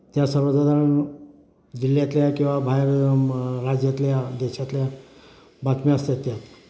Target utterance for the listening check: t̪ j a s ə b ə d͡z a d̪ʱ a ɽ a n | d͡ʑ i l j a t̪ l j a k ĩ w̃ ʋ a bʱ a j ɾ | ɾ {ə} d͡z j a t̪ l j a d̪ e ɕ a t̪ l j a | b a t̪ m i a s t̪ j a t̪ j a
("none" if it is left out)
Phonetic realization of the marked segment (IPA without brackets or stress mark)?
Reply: a